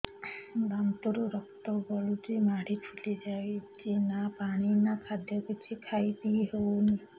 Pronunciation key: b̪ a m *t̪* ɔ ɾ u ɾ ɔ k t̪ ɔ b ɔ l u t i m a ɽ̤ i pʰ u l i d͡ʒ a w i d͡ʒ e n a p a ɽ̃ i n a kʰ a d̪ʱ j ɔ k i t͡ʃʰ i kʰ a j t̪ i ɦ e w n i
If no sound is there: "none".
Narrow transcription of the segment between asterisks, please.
t̪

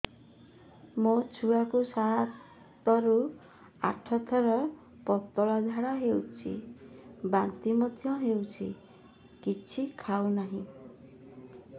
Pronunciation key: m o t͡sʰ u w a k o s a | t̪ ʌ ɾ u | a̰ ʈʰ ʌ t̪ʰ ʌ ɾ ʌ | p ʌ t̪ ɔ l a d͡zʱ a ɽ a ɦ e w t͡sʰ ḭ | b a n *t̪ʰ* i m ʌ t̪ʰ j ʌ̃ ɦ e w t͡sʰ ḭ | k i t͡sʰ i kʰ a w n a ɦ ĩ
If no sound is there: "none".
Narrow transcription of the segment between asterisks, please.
t̪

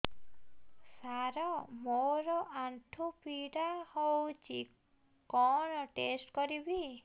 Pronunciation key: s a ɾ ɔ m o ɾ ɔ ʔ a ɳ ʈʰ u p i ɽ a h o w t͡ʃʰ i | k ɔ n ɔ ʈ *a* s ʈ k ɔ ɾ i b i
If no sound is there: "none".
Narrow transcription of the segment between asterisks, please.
e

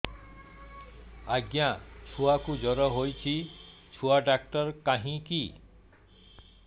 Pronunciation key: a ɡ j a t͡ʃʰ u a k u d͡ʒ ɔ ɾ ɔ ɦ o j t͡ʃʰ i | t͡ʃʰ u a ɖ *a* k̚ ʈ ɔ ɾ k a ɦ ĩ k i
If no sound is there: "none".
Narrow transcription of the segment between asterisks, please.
a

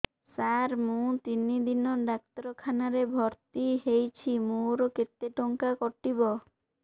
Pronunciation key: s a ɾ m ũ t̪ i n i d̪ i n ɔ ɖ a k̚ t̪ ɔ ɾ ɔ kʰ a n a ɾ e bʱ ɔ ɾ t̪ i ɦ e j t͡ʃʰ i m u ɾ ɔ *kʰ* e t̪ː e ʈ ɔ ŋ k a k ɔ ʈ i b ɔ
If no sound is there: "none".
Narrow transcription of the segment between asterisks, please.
k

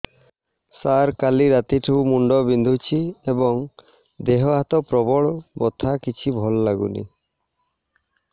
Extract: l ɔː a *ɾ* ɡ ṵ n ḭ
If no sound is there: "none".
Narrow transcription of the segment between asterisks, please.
none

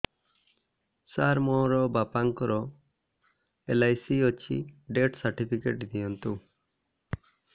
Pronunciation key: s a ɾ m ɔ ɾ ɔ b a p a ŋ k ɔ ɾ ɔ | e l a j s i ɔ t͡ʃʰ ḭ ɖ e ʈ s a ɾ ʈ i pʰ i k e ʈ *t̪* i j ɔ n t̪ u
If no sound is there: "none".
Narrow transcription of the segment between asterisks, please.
d̪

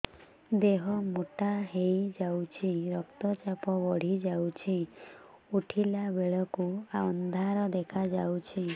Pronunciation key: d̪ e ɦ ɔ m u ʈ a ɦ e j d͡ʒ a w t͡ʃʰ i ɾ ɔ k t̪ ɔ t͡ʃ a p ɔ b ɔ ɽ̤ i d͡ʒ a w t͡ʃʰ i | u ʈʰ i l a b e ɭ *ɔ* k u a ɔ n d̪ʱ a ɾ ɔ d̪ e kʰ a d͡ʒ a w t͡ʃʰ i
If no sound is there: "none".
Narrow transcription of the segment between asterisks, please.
ɔ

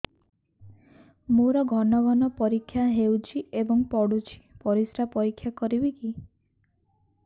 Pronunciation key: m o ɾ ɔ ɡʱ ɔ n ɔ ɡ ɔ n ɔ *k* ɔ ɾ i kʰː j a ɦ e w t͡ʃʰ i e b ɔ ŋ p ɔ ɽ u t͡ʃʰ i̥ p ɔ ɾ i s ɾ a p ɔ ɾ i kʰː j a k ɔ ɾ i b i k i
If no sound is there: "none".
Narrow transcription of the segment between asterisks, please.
p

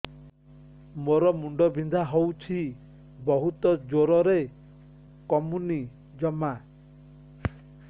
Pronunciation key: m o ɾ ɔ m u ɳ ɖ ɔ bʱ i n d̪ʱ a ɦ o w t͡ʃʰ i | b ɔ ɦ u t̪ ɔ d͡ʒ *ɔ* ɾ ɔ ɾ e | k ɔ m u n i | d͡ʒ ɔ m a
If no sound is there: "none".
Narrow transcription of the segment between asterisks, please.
o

